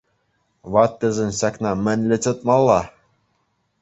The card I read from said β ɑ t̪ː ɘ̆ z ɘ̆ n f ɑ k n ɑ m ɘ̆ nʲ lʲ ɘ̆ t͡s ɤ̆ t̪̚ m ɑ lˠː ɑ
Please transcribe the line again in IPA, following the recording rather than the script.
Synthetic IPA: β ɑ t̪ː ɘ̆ z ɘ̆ n ɕ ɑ k n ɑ m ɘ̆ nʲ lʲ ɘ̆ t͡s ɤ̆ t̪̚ m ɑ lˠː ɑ